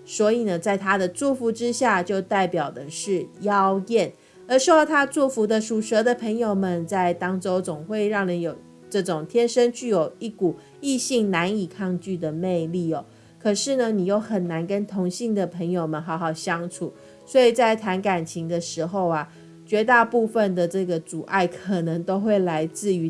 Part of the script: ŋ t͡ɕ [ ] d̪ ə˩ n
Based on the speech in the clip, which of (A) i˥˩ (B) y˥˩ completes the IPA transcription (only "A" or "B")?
B